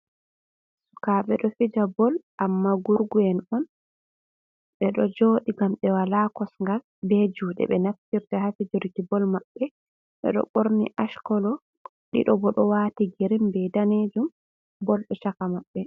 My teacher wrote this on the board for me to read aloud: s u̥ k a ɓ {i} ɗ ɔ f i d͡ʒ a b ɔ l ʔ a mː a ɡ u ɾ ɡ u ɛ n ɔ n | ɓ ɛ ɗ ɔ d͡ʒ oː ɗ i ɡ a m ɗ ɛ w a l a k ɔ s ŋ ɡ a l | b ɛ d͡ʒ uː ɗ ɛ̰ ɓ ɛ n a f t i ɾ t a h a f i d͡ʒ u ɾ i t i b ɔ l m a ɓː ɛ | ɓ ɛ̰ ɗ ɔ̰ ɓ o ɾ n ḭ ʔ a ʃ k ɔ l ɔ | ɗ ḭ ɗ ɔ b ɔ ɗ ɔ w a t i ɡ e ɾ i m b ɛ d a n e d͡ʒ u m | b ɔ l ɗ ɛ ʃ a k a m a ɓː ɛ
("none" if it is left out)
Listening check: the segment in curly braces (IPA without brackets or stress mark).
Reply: ɛ